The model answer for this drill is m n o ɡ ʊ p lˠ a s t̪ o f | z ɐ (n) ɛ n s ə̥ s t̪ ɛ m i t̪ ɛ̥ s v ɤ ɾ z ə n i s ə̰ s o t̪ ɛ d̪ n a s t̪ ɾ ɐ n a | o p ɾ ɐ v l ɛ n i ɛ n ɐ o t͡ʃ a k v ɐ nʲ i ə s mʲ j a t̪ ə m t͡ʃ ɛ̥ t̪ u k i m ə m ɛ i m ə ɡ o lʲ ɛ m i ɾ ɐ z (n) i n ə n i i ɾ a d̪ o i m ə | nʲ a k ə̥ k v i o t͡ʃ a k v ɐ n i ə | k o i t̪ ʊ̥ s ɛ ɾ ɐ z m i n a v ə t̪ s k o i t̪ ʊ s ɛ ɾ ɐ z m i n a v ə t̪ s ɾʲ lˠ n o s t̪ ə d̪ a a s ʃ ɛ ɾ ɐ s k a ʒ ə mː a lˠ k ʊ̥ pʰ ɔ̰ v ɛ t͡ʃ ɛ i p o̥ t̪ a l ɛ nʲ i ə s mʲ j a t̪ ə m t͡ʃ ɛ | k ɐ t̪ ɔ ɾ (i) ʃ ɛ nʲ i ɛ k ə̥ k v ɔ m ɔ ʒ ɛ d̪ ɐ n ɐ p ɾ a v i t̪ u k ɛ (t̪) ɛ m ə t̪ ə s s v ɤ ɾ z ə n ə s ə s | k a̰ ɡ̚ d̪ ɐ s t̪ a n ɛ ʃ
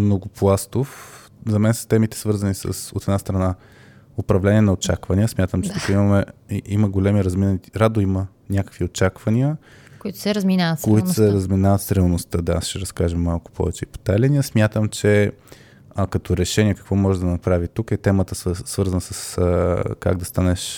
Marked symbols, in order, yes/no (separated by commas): no, no, no, yes